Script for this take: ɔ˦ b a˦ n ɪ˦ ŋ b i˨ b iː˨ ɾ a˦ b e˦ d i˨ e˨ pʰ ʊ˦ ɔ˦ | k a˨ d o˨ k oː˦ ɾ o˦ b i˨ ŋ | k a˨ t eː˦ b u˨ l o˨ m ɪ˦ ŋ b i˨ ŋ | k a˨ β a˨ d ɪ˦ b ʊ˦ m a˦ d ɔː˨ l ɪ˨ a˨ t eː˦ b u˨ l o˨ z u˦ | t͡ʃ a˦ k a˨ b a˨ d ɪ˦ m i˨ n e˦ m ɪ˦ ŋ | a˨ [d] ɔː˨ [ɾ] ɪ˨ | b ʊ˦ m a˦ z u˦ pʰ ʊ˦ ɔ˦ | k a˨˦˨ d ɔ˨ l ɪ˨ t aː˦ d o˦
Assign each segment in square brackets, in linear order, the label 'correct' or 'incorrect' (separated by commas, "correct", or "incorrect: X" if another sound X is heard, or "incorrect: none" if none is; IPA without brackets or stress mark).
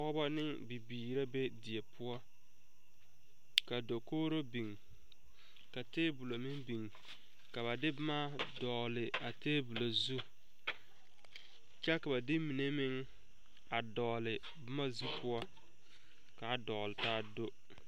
correct, incorrect: l